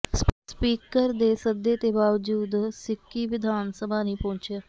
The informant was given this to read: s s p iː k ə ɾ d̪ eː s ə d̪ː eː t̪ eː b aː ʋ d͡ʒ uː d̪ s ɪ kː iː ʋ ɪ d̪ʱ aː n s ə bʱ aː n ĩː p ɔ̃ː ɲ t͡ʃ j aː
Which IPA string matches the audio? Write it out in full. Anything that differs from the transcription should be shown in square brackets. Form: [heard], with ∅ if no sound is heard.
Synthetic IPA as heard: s s p iː k ə ɾ d̪ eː s ə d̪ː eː t̪ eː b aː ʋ d͡ʒ uː d̪ s ɪ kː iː ʋ ɪ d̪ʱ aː n s ə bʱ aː n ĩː p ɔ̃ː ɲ t͡ʃ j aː